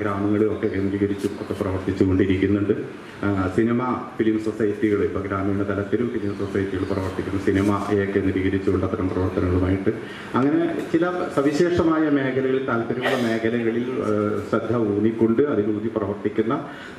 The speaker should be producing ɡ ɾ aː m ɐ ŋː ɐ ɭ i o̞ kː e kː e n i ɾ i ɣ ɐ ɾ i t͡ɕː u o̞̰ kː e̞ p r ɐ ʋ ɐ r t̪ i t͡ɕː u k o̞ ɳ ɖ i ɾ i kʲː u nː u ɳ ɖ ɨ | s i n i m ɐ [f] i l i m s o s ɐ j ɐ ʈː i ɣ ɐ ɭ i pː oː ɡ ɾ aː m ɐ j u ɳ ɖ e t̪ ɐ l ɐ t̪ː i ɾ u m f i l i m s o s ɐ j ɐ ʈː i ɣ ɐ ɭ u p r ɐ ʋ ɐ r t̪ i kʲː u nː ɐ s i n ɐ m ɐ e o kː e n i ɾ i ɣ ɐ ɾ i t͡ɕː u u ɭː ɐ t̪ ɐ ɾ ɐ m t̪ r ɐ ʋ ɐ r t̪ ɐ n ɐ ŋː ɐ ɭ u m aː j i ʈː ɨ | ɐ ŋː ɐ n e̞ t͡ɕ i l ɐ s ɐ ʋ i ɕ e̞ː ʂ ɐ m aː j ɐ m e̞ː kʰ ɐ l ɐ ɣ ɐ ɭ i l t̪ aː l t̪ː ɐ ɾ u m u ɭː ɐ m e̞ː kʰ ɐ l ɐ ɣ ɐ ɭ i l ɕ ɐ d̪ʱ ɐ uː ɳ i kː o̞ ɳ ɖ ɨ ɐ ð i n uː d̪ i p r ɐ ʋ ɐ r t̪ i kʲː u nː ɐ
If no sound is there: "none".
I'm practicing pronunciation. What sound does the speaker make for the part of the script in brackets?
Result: f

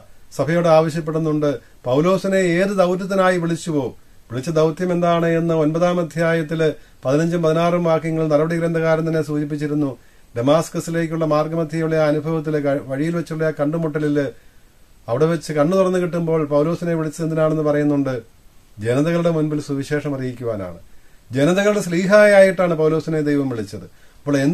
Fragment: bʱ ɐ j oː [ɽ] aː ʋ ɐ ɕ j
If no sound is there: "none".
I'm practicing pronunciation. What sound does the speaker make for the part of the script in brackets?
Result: ɽ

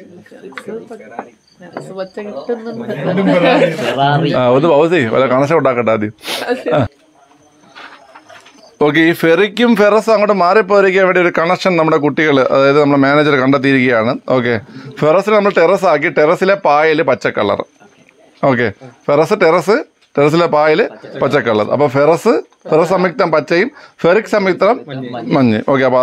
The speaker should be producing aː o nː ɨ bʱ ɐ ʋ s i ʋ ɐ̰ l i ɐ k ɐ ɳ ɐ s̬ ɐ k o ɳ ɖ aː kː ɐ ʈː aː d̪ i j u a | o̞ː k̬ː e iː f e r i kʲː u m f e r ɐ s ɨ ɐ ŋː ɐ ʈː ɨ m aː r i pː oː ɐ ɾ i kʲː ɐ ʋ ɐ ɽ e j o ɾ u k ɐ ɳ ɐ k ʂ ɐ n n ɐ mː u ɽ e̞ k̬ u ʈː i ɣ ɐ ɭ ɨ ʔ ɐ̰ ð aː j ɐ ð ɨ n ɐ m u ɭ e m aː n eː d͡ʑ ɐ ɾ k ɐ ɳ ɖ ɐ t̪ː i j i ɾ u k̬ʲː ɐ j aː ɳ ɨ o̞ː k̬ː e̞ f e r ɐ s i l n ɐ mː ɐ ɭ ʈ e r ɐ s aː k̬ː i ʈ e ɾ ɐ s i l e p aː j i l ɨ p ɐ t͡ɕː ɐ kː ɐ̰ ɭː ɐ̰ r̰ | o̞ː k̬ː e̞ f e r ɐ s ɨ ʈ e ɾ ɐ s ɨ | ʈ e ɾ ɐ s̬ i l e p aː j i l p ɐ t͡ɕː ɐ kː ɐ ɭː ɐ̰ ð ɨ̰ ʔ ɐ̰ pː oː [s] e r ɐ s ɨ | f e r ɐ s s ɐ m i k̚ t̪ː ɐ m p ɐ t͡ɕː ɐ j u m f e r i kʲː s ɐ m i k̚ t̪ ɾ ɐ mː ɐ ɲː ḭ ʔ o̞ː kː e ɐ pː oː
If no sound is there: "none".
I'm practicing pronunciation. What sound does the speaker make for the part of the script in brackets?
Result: f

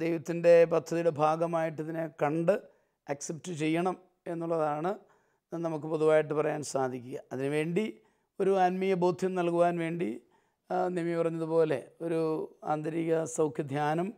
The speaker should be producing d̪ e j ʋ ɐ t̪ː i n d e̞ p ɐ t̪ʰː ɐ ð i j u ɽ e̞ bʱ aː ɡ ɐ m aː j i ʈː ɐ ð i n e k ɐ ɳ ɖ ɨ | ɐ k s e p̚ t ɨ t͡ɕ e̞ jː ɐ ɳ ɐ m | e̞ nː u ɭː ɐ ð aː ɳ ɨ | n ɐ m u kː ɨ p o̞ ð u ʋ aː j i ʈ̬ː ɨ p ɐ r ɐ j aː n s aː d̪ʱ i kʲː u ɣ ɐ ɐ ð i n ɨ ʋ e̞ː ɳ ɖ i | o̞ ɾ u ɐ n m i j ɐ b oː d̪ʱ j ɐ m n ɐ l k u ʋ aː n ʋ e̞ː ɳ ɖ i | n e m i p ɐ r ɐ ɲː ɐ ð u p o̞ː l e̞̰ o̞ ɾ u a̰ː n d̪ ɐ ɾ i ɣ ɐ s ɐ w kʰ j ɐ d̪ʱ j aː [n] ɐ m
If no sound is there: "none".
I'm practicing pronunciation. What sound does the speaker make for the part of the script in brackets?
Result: n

